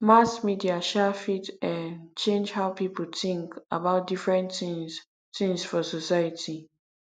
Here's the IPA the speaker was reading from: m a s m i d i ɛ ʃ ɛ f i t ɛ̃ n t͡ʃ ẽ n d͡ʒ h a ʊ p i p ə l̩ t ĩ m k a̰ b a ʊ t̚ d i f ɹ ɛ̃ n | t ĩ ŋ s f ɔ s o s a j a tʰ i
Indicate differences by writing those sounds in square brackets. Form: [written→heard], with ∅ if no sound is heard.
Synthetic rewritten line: m a s m i d i [ɛ→a] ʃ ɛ f i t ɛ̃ n t͡ʃ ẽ n d͡ʒ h a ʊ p i p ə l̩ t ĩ [m→ŋ] k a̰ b a ʊ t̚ d i f ɹ ɛ̃ n | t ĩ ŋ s f ɔ s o s a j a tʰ i